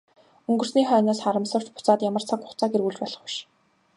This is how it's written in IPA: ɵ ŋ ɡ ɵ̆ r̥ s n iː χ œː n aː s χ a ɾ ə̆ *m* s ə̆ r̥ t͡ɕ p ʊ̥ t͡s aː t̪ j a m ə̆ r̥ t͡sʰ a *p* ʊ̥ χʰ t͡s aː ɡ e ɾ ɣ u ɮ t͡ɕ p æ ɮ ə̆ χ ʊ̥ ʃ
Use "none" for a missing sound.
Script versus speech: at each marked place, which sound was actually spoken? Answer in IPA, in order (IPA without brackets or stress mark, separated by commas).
m, k